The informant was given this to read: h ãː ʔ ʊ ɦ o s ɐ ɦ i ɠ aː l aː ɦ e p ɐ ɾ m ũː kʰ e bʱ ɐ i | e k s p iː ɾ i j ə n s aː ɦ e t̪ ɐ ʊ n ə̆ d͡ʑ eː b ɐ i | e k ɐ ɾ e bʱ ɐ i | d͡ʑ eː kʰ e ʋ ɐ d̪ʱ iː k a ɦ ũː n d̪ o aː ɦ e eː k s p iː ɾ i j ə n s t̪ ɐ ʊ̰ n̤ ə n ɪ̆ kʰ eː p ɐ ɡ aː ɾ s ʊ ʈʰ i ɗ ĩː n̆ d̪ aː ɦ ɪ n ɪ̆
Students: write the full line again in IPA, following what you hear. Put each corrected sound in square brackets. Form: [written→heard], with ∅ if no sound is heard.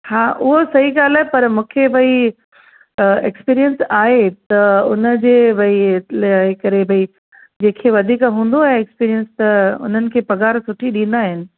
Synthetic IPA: h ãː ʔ ʊ ɦ o s ɐ ɦ i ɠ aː l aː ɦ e p ɐ ɾ m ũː kʰ e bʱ ɐ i | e k s p iː ɾ i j ə n s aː ɦ e t̪ ɐ ʊ n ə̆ d͡ʑ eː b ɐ i | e k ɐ ɾ e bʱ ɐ i | d͡ʑ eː kʰ e ʋ ɐ d̪ʱ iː k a ɦ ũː n d̪ o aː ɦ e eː k s p iː ɾ i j ə n s t̪ ɐ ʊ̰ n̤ ə n ɪ̆ kʰ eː p ɐ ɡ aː ɾ s ʊ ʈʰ i ɗ ĩː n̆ d̪ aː ɦ ɪ n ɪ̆